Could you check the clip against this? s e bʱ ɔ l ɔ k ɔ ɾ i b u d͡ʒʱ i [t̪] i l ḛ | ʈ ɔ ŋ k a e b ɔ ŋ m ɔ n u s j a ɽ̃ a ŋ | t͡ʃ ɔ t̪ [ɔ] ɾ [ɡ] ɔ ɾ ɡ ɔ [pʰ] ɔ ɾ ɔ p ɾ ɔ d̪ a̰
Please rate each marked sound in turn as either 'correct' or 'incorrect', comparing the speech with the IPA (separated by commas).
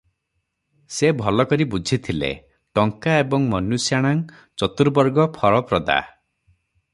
incorrect, incorrect, incorrect, correct